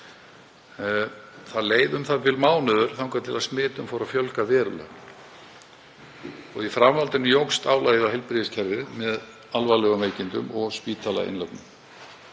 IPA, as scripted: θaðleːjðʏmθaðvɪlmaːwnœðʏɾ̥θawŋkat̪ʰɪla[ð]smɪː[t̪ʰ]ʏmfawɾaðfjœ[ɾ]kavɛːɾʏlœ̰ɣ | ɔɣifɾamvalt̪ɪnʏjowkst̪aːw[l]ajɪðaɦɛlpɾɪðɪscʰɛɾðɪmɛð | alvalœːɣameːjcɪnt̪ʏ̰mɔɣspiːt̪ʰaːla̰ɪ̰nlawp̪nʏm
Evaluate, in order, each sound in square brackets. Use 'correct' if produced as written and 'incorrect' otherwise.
correct, incorrect, incorrect, correct

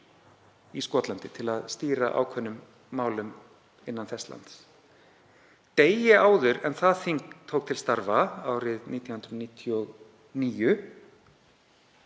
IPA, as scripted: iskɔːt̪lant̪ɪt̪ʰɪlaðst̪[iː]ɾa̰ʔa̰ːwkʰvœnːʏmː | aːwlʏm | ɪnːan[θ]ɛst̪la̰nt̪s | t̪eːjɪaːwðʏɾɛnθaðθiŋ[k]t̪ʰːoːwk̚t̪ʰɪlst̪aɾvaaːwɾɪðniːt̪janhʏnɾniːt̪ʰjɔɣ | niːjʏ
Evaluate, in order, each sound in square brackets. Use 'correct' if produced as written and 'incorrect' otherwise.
correct, correct, correct

